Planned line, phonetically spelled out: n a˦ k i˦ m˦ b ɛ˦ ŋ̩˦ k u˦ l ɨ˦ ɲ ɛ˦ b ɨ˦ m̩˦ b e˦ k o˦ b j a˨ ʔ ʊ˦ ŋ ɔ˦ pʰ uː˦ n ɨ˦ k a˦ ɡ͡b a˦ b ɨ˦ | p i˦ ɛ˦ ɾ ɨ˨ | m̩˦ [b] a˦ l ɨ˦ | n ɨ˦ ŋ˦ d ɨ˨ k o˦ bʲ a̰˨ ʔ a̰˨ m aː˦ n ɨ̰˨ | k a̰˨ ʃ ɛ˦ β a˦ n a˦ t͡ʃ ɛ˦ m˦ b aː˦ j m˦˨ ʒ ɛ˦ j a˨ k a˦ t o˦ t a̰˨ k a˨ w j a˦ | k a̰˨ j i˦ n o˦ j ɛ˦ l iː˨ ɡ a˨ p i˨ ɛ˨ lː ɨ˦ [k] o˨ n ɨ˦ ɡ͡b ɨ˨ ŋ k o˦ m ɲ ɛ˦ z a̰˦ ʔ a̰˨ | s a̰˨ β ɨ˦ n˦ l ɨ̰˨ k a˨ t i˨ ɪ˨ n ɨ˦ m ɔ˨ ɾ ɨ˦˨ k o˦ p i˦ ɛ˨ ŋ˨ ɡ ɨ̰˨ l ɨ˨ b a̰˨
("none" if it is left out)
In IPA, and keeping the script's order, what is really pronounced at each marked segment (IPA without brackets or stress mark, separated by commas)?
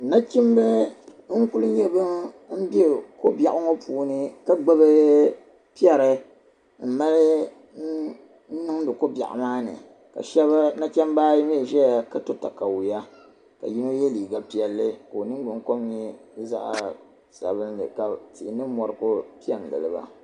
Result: m, k